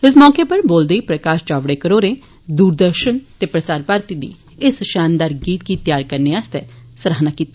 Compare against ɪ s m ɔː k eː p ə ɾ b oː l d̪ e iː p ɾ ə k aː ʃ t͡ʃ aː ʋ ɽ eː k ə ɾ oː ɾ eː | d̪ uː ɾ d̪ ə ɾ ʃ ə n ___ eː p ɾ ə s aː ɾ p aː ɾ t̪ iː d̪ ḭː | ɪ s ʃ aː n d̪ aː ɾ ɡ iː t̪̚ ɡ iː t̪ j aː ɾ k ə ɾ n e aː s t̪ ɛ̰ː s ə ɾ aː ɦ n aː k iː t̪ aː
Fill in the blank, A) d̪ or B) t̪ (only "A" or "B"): B